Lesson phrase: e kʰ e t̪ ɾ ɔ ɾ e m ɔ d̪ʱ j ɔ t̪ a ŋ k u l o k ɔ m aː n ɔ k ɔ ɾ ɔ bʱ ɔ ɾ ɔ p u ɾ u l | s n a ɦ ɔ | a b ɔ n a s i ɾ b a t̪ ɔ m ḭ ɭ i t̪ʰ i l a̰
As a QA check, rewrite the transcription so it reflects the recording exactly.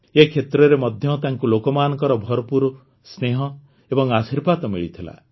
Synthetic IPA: e kʰ e t̪ ɾ ɔ ɾ e m ɔ d̪ʱ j ɔ t̪ a ŋ k u l o k ɔ m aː n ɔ k ɔ ɾ ɔ bʱ ɔ ɾ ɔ p u ɾ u | s n e ɦ ɔ | e b ɔ ŋ a s i ɾ b a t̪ ɔ m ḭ ɭ i t̪ʰ i l a̰